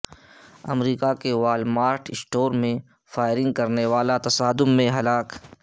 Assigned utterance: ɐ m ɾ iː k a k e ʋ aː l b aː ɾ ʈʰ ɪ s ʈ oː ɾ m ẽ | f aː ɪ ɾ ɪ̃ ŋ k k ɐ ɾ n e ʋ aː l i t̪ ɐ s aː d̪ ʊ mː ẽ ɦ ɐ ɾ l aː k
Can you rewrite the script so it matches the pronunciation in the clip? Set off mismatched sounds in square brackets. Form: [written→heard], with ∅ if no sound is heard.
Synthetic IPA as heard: ɐ m ɾ iː k a k e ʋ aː l [b→m] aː ɾ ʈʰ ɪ s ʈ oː ɾ m ẽ | f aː ɪ ɾ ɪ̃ ŋ [k→ɡ] k ɐ ɾ n e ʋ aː l [i→a] t̪ ɐ s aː d̪ ʊ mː ẽ ɦ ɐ [ɾ→∅] l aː k